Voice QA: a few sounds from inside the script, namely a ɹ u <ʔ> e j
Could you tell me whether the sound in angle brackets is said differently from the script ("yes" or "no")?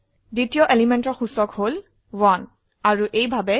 no